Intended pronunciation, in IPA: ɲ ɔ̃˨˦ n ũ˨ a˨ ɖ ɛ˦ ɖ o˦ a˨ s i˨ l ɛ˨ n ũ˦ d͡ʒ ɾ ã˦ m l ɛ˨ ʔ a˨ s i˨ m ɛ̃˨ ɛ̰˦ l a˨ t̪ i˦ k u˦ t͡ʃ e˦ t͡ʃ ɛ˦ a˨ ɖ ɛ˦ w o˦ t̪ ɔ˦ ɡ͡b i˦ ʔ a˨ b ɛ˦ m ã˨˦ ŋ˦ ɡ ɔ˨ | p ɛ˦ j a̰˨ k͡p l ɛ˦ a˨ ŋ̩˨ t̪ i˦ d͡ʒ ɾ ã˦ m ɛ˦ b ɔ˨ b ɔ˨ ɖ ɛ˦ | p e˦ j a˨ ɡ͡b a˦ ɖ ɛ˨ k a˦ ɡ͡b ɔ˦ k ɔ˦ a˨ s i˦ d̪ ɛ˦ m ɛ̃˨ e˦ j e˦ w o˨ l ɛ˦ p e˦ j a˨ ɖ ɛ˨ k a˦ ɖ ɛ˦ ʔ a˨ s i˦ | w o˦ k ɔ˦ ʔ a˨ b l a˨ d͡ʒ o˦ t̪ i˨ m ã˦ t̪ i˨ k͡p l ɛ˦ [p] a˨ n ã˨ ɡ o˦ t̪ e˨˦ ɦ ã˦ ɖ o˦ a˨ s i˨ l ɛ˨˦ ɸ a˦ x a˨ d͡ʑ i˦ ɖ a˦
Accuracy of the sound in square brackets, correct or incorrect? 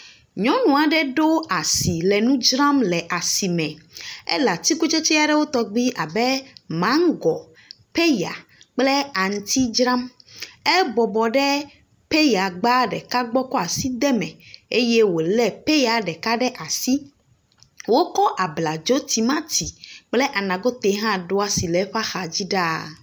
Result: incorrect